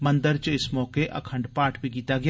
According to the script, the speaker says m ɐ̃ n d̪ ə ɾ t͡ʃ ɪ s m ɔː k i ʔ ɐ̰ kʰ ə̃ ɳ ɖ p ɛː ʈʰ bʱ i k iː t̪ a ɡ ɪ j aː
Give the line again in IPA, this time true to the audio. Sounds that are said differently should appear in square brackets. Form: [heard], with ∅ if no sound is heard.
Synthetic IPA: m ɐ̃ n d̪ ə ɾ t͡ʃ ɪ s m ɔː k [e] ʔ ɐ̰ kʰ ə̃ ɳ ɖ p [aː] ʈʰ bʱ i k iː t̪ a ɡ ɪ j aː